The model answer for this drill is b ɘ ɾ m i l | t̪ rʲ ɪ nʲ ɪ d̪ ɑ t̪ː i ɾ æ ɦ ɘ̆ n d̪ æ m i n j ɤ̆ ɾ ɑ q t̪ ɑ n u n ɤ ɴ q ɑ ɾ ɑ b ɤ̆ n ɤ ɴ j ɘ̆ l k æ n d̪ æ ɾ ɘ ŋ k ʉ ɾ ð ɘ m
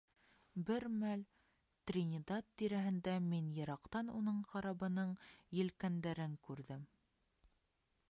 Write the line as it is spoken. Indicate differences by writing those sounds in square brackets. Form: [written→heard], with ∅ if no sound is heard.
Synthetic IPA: b ɘ ɾ m [i→æ] l | t̪ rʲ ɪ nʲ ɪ d̪ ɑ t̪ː i ɾ æ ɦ ɘ̆ n d̪ æ m i n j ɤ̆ ɾ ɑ q t̪ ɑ n u n ɤ ɴ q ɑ ɾ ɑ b ɤ̆ n ɤ ɴ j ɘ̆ l k æ n d̪ æ ɾ ɘ ŋ k ʉ ɾ ð ɘ m